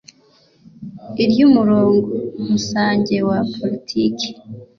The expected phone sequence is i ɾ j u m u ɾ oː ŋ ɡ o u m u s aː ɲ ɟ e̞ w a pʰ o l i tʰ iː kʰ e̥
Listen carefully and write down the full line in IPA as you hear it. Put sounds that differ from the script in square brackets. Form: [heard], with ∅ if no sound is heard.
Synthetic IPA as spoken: i ɾ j u m u ɾ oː ŋ ɡ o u m u s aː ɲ ɟ e̞ w a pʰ o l i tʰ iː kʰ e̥